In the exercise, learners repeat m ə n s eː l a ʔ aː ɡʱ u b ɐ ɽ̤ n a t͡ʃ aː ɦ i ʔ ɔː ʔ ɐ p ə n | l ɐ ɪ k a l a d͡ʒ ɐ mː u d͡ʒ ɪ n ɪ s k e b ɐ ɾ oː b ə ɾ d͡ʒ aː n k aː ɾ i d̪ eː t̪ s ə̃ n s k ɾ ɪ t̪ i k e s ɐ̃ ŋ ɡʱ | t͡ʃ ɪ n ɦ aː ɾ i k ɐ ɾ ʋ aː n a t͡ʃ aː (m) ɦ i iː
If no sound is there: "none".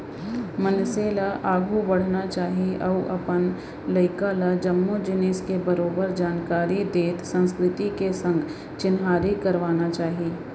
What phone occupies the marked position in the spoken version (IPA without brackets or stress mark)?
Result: none